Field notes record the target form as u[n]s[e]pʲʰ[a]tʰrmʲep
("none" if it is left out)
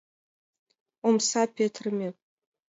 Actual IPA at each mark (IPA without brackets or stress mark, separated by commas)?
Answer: m, a, e